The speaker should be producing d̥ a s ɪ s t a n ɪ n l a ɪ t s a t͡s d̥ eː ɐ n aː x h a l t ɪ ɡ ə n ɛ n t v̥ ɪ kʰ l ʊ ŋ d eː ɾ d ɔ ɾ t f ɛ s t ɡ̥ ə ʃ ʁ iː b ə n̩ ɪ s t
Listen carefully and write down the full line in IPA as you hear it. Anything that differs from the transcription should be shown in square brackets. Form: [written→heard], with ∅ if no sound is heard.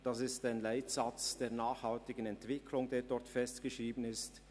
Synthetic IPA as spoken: d̥ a s ɪ s t a [n→∅] ɪ n l a ɪ t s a t͡s d̥ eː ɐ n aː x h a l t ɪ ɡ ə n ɛ n t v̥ ɪ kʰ l ʊ ŋ d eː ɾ d ɔ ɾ t f ɛ s t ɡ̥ ə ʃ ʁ iː b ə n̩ ɪ s t